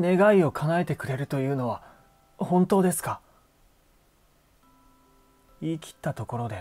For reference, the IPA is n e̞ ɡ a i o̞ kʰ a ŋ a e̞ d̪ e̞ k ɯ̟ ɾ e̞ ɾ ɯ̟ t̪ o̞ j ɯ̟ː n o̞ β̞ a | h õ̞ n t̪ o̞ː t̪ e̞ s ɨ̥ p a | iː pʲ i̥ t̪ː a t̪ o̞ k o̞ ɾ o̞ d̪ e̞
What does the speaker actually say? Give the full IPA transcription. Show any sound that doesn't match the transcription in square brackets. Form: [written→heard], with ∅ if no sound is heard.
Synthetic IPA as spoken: n e̞ ɡ a i o̞ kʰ a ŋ a e̞ [d̪→t̪] e̞ k ɯ̟ ɾ e̞ ɾ ɯ̟ t̪ o̞ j ɯ̟ː n o̞ β̞ a | h õ̞ n t̪ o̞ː [t̪→d̪] e̞ s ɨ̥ [p→k] a | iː [pʲ→kʲ] i̥ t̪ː a t̪ o̞ k o̞ ɾ o̞ d̪ e̞